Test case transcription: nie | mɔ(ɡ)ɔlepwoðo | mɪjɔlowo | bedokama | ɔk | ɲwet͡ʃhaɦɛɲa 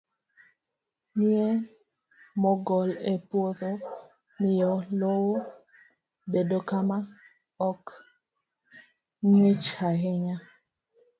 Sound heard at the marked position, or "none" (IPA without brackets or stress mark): ɡ